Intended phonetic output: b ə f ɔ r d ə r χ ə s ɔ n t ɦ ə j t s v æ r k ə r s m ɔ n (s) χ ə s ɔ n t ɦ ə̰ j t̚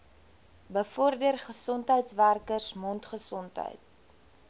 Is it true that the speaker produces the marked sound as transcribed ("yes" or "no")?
no